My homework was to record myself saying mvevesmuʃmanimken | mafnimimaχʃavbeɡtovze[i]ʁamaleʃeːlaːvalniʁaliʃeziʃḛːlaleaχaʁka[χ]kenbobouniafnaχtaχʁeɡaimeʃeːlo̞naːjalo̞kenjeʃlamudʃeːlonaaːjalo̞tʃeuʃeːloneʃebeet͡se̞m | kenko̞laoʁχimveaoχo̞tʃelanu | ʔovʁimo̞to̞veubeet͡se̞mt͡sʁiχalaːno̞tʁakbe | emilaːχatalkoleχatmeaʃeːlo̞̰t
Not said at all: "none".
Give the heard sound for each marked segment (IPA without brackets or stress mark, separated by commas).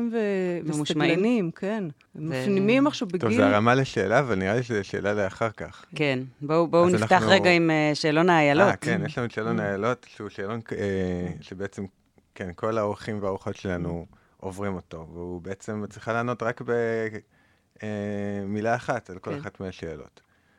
a, χ